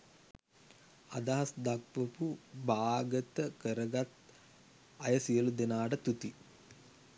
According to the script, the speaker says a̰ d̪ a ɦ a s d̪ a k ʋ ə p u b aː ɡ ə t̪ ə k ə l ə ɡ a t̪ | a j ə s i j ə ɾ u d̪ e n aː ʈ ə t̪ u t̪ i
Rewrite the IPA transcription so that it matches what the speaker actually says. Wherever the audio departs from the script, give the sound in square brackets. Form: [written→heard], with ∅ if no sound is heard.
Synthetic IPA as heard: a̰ d̪ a ɦ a s d̪ a k ʋ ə p u b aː ɡ ə t̪ ə k ə [l→ɾ] ə ɡ a t̪ | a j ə s i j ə [ɾ→l] u d̪ e n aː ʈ ə t̪ u t̪ i